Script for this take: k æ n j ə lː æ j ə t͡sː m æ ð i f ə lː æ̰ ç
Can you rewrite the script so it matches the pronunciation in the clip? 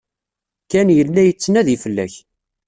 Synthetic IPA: k æ n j ə lː æ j ə t͡sː n æ ð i f ə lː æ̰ ç